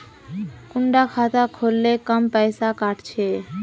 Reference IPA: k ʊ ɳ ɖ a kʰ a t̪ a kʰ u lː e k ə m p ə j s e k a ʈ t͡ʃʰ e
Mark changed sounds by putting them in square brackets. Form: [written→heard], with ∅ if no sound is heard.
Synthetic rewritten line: k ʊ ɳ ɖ a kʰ a t̪ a kʰ [u→o] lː e k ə m p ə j s [e→a] k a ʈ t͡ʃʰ e